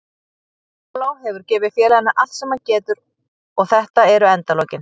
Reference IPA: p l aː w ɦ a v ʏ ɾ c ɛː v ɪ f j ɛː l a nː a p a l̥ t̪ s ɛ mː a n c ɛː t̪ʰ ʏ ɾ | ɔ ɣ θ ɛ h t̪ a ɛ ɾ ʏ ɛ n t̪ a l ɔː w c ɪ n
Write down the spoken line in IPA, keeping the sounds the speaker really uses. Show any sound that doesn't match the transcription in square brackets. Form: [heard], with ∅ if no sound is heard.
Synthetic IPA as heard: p l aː w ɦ [ɛ] v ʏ ɾ c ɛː v ɪ f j ɛː l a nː a [ʔ] a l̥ t̪ s ɛ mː a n c ɛː [t̪] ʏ ɾ | ɔ ɣ θ ɛ h t̪ a ɛ ɾ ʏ ɛ n t̪ a l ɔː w c ɪ n